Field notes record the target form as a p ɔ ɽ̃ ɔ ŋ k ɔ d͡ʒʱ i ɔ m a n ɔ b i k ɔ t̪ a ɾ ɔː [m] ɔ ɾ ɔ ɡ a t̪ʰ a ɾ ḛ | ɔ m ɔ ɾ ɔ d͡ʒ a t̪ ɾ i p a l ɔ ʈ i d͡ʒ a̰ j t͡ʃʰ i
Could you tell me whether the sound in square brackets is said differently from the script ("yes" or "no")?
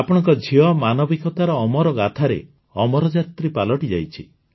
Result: no